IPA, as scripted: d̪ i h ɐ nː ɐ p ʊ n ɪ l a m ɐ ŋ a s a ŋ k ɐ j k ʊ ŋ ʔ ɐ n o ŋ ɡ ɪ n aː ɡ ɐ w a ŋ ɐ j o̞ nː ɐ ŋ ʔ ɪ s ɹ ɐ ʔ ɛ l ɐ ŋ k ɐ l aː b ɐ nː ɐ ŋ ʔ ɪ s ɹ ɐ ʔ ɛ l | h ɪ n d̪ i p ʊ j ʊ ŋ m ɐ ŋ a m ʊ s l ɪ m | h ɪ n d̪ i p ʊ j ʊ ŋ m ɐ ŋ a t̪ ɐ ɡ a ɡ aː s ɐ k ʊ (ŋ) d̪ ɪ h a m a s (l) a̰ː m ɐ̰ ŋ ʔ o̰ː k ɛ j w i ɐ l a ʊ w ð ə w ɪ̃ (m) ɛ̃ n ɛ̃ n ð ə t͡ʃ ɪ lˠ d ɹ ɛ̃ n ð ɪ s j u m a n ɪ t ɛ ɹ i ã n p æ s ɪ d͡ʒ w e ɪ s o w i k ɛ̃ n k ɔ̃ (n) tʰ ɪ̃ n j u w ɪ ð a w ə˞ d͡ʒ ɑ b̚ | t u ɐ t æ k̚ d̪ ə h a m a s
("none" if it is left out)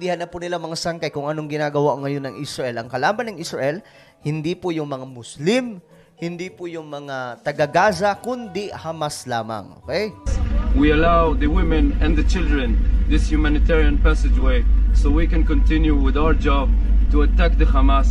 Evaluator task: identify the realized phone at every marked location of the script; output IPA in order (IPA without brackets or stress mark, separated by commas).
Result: n, l, m, n